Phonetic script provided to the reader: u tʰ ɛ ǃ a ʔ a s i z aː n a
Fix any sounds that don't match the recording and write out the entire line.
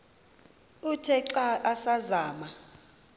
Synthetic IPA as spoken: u tʰ ɛ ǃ a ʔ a s a z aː m a